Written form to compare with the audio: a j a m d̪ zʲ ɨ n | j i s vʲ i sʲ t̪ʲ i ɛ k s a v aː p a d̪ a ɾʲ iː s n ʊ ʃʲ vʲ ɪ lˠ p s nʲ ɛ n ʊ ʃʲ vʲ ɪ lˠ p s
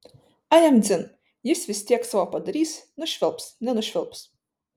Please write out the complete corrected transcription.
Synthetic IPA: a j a m d̪ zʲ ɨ n | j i s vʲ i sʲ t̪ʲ i ɛ k s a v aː p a d̪ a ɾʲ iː s n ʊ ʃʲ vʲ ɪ lˠ p s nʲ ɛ n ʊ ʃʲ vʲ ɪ lˠ p s